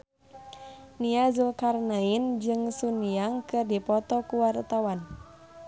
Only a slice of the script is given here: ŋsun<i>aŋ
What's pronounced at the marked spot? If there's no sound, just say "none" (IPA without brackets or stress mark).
i